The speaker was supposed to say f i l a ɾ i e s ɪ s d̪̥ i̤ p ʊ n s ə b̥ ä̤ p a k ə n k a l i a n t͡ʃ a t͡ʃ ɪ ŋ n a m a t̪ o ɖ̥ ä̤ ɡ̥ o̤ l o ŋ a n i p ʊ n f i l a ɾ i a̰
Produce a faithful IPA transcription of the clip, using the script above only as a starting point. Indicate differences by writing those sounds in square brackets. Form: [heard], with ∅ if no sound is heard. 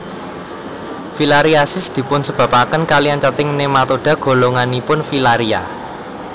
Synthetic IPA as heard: f i l a ɾ i [a] s ɪ s d̪̥ i̤ p ʊ n s ə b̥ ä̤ p a k ə n k a l i a n t͡ʃ a t͡ʃ ɪ ŋ n [e] m a t̪ o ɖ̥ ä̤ ɡ̥ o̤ l o ŋ a n i p ʊ n f i l a ɾ i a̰